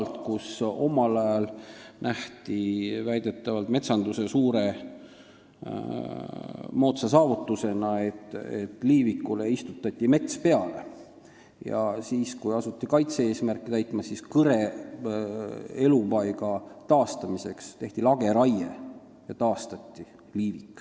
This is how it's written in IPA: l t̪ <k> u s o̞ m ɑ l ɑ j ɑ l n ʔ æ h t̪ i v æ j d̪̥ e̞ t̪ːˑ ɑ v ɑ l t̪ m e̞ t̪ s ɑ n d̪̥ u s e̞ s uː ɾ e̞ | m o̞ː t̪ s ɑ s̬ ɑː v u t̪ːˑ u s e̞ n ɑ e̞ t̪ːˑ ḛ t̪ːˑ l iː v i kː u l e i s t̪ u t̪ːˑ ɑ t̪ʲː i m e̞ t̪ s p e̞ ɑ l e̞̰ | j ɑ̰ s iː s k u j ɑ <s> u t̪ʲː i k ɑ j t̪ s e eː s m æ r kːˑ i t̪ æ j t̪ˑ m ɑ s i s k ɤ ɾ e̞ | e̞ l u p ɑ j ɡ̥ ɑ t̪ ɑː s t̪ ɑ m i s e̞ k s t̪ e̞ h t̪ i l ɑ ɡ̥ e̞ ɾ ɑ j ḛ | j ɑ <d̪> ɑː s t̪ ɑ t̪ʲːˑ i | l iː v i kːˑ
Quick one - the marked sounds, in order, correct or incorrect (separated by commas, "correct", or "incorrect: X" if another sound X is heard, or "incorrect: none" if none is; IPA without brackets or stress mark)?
correct, correct, incorrect: t̪